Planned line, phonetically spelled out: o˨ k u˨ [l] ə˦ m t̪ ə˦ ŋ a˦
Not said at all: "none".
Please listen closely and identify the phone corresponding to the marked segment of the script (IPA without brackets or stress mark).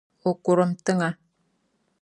ɾ